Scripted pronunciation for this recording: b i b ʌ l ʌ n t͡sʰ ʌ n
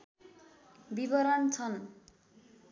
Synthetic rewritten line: b i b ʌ ɾ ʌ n t͡sʰ ʌ n